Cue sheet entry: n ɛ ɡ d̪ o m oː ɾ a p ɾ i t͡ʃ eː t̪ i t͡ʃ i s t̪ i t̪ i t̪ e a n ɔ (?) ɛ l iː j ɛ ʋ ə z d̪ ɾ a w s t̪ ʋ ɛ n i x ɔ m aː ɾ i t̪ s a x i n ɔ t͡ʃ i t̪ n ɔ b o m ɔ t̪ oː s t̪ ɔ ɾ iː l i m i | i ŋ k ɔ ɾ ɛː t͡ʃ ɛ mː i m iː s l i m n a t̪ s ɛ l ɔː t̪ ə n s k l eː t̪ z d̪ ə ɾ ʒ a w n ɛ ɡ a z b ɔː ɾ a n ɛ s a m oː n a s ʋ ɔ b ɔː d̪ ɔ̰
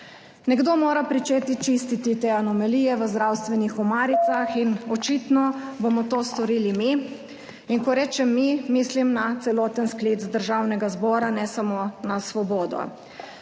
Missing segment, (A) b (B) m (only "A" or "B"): B